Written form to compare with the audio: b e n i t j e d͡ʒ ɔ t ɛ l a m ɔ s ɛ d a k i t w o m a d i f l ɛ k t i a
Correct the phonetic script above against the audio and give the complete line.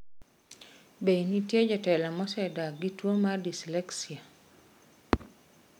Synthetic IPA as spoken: b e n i t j e d͡ʒ ɔ t ɛ l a m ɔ s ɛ d a ɡ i t w o m a d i s l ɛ k s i a